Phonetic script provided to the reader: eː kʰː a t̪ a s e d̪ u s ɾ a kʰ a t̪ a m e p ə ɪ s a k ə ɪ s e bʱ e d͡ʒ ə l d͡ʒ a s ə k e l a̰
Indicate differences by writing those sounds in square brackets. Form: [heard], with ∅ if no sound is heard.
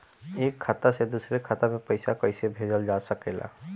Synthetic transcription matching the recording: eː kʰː a t̪ a s e d̪ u s ɾ [e] kʰ a t̪ a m e p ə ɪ s a k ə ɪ s e bʱ e d͡ʒ ə l d͡ʒ a s ə k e l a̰